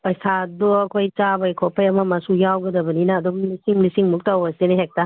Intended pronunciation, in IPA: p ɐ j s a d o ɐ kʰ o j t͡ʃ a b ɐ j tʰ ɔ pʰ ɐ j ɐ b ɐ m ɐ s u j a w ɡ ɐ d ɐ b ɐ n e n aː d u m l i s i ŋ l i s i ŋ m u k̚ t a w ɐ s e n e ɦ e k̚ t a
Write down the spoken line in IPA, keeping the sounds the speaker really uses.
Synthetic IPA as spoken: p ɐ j s a d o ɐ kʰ o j t͡ʃ a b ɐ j kʰ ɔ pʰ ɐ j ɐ m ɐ m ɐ s u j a w ɡ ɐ d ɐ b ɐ n i n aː d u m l i s i ŋ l i s i ŋ m u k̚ t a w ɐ s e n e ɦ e k̚ t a